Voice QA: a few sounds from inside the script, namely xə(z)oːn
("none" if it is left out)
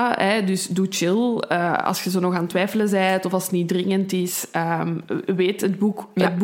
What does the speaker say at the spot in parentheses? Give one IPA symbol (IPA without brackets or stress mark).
z